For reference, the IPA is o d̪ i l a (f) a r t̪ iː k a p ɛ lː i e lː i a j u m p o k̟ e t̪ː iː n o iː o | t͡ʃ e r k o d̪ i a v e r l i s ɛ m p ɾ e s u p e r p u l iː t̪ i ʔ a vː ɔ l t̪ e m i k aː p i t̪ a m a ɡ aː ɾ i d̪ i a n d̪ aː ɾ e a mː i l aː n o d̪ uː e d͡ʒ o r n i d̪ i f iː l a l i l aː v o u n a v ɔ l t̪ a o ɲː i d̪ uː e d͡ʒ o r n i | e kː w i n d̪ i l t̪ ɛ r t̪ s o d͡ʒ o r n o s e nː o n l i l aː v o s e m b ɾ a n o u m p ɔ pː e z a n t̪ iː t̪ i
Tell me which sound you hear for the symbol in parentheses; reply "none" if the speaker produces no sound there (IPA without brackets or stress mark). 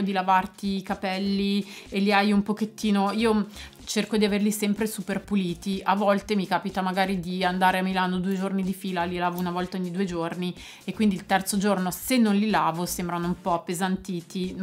v